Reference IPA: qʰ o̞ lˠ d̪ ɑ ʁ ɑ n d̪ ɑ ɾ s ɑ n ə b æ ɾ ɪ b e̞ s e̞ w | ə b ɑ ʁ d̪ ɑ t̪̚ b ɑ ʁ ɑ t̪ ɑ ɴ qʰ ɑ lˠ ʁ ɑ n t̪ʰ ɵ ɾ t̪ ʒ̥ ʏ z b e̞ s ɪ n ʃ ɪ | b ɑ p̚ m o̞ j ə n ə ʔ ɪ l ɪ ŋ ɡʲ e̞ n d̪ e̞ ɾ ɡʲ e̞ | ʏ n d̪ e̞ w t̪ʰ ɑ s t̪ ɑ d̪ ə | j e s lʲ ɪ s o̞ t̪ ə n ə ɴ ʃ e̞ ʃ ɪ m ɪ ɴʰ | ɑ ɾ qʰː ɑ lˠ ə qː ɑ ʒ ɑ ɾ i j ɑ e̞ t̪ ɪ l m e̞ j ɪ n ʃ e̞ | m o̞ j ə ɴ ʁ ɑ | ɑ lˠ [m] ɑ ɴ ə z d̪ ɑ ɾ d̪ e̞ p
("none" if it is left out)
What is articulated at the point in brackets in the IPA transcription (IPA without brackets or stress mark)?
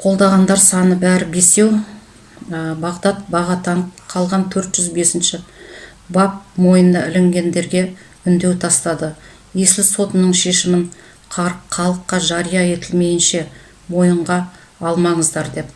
m